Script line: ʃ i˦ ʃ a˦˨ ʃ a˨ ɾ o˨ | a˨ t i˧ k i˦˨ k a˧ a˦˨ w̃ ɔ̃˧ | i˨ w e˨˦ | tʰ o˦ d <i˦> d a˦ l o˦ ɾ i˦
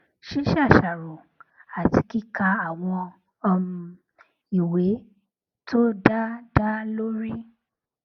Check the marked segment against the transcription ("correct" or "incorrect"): incorrect